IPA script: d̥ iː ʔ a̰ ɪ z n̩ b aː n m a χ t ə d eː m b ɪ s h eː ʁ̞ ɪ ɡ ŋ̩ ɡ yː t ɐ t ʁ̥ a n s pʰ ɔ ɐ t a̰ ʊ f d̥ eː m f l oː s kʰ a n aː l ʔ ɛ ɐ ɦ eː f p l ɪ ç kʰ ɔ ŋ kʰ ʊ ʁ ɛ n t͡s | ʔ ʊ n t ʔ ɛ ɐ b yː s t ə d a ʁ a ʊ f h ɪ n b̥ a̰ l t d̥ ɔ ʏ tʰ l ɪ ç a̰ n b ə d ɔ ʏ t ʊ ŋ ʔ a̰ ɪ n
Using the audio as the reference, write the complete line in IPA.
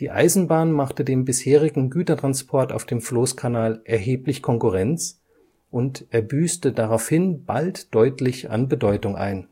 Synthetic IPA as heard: d̥ iː ʔ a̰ ɪ z n̩ b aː n m a χ t ə d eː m b ɪ s h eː ʁ̞ ɪ ɡ ŋ̩ ɡ yː t ɐ t ʁ̥ a n s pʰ ɔ ɐ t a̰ ʊ f d̥ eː m f l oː s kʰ a n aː l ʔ ɛ ɐ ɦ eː p l ɪ ç kʰ ɔ ŋ k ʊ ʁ ɛ n t͡s | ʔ ʊ n t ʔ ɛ ɐ b yː s t ə d a ʁ a ʊ f h ɪ n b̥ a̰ l t d̥ ɔ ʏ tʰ l ɪ ç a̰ n b ə d ɔ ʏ t ʊ ŋ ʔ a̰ ɪ n